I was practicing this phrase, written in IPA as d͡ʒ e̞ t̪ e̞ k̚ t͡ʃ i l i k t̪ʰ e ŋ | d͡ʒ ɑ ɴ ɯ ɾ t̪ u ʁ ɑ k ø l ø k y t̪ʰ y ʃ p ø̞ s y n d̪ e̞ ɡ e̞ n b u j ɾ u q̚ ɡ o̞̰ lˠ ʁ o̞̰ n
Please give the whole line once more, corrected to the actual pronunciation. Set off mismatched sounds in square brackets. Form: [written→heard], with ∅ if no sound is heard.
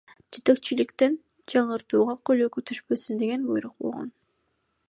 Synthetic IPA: d͡ʒ e̞ t̪ e̞ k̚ t͡ʃ i l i k [t̪ʰ→t̪] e [ŋ→n] | d͡ʒ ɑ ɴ ɯ ɾ t̪ [u→uː] ʁ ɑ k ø l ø k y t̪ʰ y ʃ p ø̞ s y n d̪ e̞ ɡ e̞ n b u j ɾ u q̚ [ɡ→b] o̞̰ lˠ ʁ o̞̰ n